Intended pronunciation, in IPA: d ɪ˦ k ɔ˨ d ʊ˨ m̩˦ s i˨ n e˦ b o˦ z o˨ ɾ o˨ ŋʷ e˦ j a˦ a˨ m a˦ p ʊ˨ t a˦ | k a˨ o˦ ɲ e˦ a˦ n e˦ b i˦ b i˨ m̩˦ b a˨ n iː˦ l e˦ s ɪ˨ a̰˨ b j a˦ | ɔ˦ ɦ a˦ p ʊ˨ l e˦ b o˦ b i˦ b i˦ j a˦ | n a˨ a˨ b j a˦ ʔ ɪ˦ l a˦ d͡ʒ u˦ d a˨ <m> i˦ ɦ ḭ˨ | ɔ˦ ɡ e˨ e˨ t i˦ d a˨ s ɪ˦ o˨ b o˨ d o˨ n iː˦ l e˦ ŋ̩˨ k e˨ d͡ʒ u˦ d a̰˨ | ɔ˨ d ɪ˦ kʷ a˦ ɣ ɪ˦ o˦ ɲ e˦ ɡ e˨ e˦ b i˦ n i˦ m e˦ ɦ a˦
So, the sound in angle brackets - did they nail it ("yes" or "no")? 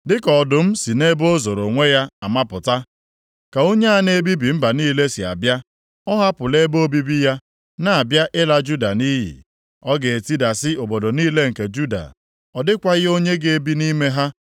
no